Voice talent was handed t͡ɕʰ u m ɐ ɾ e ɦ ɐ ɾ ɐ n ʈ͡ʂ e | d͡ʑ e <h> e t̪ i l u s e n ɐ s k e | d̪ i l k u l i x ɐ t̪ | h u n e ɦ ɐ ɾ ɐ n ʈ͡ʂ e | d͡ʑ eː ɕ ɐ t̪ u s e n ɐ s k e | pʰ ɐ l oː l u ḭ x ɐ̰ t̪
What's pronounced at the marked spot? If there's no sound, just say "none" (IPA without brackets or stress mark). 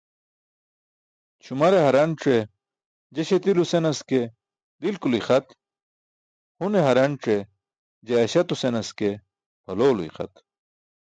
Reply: ɕ